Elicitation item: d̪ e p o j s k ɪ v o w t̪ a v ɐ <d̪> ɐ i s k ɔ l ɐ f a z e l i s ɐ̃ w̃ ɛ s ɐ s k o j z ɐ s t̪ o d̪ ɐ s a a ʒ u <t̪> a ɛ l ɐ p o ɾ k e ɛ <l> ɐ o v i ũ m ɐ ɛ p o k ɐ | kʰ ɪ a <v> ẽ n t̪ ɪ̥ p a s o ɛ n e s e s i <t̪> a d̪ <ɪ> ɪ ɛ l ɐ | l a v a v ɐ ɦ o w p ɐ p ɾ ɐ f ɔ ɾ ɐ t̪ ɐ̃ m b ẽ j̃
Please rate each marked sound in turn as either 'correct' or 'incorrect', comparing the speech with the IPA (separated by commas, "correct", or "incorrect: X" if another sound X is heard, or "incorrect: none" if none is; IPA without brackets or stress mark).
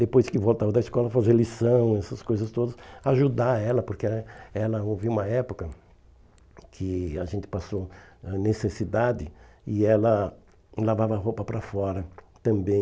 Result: correct, incorrect: d̪, correct, incorrect: ʒ, incorrect: d̪, correct